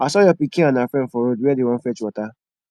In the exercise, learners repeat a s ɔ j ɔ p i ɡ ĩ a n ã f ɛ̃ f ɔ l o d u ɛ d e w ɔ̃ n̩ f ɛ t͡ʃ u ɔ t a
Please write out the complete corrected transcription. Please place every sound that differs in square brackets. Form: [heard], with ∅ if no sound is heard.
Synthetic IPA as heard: a s ɔ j ɔ p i [k] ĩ a n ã f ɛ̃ f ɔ [ɾ] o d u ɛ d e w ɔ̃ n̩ f ɛ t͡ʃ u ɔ t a